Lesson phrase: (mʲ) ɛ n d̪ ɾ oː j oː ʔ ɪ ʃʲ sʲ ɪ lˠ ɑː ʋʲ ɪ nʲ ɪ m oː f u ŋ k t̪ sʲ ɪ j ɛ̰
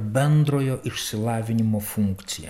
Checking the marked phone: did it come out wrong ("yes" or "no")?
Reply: yes